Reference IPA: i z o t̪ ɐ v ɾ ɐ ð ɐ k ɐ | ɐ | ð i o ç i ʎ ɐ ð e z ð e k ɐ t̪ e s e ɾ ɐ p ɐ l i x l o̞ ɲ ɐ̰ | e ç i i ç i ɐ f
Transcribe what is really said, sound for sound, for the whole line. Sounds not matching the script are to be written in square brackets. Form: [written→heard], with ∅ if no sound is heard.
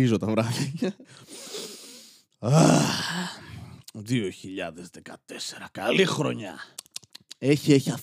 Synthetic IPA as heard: i z o t̪ ɐ v ɾ ɐ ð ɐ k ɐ | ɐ | ð i o ç i ʎ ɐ ð e z ð e k ɐ t̪ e s e ɾ ɐ [p→k] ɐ l i x [l→ɾ] o̞ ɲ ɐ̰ | e ç i [i→e] ç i ɐ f